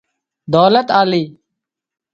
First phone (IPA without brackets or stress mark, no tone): d̪